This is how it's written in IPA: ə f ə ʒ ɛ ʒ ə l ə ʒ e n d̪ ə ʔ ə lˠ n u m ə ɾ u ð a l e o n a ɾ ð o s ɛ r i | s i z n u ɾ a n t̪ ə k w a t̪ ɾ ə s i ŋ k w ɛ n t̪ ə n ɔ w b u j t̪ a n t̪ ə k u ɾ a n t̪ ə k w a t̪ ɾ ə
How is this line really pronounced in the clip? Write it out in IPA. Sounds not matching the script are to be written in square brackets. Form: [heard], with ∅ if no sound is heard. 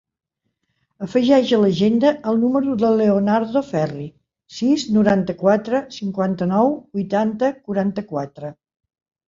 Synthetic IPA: ə f ə ʒ ɛ ʒ ə l ə ʒ e n d̪ ə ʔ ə lˠ n u m ə ɾ u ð [ə] l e o n a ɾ ð o [f] ɛ r i | s i z n u ɾ a n t̪ ə k w a t̪ ɾ ə s i ŋ k w [a] n t̪ ə n ɔ w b u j t̪ a n t̪ ə k u ɾ a n t̪ ə k w a t̪ ɾ ə